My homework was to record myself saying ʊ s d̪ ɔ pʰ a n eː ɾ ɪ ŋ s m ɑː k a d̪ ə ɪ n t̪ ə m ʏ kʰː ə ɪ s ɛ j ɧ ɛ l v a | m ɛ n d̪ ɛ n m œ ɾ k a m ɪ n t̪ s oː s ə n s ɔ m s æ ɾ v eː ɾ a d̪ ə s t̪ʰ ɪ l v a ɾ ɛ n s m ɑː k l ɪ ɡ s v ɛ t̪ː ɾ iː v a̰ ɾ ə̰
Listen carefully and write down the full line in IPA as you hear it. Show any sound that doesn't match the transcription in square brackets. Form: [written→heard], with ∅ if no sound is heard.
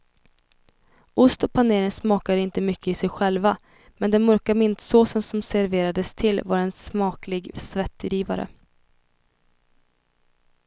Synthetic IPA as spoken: ʊ s [d̪→t̪] ɔ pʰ a n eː ɾ ɪ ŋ s m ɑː k a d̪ ə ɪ n t̪ ə m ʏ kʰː ə ɪ s ɛ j ɧ ɛ l v a | m ɛ n d̪ ɛ n m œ ɾ k a m ɪ n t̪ s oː s ə n s ɔ m s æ ɾ v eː ɾ a d̪ ə s t̪ʰ ɪ l v a ɾ ɛ n s m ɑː k l ɪ ɡ s v ɛ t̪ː ɾ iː v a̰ ɾ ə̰